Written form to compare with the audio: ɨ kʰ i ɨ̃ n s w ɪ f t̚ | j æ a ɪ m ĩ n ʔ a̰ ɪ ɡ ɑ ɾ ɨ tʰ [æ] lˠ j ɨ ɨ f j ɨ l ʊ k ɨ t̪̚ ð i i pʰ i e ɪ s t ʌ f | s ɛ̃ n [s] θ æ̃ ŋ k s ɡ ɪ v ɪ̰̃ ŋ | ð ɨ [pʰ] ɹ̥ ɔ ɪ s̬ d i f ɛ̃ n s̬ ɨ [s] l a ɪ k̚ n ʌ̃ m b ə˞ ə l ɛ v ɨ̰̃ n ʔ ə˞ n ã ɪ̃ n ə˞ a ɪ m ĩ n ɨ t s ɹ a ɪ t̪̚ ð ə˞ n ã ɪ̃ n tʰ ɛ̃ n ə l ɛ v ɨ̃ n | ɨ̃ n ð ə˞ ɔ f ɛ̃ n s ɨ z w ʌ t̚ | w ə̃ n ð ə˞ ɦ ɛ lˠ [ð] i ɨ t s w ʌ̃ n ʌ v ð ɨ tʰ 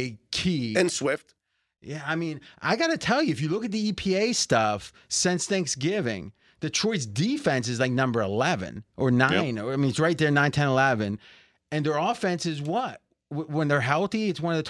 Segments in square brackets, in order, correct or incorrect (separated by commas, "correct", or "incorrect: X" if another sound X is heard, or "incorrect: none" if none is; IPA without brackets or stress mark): incorrect: ɛ, correct, incorrect: tʰ, incorrect: z, incorrect: θ